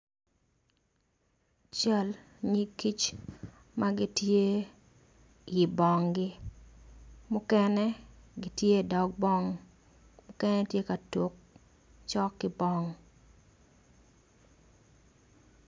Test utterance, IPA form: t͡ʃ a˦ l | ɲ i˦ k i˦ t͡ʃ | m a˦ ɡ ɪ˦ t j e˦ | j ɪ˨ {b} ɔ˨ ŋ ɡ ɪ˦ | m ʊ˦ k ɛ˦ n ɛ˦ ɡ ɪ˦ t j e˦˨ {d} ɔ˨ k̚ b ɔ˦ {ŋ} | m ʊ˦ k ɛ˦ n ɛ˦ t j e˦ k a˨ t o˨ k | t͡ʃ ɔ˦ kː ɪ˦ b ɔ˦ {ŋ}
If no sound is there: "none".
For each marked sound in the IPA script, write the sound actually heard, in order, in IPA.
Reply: b, d, ŋ, ŋ

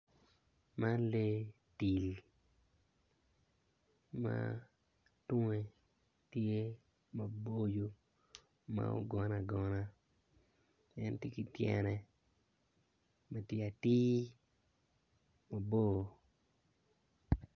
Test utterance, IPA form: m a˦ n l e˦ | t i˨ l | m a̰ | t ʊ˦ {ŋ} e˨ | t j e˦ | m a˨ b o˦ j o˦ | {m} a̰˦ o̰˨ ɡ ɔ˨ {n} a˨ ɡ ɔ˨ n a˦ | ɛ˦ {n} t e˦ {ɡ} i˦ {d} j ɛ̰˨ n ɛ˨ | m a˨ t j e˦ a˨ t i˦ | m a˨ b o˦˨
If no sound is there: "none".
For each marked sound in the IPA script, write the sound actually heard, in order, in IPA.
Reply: ŋ, m, n, n, k, t

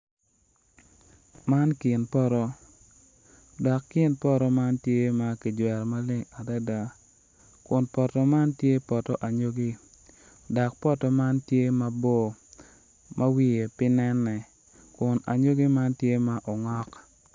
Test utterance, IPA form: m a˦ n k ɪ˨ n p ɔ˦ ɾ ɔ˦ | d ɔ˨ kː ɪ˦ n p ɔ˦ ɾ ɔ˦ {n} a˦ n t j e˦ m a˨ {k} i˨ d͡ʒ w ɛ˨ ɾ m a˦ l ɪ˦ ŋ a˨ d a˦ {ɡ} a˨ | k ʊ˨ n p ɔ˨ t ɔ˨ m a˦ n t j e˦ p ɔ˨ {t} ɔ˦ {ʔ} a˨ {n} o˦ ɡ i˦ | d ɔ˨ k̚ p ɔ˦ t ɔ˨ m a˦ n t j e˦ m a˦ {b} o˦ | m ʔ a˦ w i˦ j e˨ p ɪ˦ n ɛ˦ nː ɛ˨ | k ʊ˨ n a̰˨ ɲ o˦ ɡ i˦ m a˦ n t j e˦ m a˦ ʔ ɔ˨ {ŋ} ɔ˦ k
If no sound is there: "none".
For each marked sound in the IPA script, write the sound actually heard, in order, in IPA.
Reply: m, k, d, t, ʔ, ɲ, b, ŋ

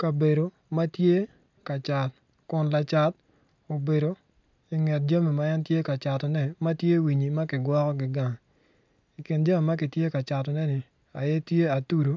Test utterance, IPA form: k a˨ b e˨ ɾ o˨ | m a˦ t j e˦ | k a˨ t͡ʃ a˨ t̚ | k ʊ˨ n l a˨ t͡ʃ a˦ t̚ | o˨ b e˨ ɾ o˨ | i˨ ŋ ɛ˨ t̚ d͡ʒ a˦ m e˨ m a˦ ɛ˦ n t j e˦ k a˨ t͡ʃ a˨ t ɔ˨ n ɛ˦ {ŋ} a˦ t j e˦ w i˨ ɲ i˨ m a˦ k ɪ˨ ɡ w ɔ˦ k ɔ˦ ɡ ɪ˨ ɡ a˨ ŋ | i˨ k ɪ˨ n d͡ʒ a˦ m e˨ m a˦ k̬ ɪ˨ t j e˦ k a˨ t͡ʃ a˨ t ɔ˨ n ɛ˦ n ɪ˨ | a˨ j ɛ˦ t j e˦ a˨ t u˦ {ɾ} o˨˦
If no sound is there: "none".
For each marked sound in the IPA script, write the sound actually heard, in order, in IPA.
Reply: m, ɾ

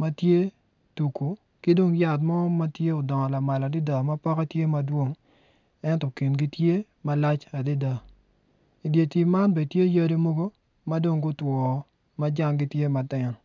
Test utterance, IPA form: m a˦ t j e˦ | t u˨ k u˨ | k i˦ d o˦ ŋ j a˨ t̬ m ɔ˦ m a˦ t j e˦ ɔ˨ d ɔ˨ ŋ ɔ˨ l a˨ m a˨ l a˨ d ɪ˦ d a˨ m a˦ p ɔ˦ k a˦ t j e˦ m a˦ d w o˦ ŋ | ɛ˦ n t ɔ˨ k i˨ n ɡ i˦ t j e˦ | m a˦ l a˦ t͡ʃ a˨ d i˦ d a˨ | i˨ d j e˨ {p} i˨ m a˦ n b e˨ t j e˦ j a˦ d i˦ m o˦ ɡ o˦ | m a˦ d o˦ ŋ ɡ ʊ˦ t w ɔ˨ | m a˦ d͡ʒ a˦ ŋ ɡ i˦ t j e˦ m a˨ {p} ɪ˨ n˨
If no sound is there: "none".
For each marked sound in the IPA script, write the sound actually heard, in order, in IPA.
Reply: t, t

